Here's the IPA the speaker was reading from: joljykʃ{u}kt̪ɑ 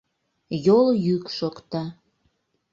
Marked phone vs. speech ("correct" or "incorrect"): incorrect